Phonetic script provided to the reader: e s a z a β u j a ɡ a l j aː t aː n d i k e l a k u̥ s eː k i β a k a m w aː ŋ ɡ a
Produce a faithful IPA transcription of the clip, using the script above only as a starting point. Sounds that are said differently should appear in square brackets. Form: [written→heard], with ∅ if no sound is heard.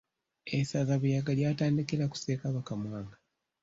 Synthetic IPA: e s a z a β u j a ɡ a l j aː t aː n d i k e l a k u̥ s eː k [i→a] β a k a m w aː ŋ ɡ a